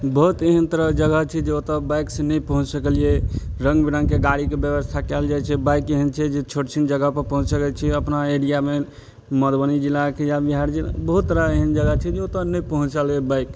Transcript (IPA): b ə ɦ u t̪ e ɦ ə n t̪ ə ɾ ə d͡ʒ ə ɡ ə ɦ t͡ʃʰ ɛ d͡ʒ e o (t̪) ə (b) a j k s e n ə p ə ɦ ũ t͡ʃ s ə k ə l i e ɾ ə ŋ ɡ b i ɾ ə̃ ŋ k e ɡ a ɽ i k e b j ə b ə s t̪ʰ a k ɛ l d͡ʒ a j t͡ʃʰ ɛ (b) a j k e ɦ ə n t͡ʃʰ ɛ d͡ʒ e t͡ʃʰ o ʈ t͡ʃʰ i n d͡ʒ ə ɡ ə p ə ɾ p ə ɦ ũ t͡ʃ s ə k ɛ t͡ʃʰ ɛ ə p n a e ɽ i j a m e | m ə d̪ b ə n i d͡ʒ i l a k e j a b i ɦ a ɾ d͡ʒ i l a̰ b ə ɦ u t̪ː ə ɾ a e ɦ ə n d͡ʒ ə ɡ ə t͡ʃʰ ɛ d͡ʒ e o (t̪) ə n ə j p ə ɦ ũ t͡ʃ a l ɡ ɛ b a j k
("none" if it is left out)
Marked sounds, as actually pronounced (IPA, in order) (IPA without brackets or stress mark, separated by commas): t̪, b, b, t̪